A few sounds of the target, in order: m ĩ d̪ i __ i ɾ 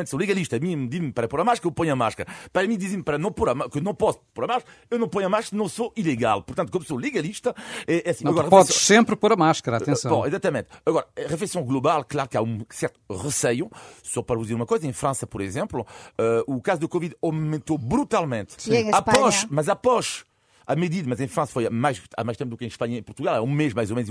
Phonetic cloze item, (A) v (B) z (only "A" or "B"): B